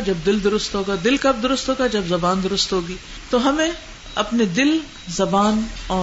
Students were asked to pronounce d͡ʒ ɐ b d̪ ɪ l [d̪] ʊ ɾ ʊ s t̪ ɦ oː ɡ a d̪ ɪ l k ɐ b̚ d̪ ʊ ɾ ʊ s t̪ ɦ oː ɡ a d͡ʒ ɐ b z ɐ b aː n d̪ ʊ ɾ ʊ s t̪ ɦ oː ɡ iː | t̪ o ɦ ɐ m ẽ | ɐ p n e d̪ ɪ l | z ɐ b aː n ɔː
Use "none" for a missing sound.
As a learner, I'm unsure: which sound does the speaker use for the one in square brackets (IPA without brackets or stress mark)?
d̪